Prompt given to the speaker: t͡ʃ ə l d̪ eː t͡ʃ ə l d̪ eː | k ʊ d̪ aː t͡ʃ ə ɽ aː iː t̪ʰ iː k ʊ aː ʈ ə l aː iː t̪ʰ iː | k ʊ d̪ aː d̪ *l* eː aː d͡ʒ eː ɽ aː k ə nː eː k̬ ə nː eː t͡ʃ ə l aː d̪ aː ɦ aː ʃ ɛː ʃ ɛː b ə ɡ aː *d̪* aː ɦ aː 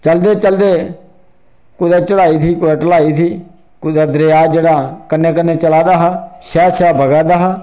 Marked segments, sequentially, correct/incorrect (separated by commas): incorrect, correct